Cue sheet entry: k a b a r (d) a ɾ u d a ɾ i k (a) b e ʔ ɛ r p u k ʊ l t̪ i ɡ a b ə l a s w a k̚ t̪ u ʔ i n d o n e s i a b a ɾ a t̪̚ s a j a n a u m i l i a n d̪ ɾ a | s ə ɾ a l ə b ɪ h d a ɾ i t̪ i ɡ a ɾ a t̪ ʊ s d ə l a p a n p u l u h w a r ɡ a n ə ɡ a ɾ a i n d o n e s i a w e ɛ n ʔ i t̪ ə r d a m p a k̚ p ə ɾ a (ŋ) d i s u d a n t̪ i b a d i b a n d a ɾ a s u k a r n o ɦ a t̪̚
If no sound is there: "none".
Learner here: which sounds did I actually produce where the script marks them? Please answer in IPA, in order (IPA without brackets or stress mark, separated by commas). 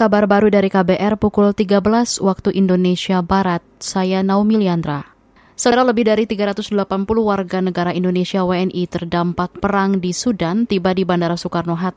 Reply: b, a, ŋ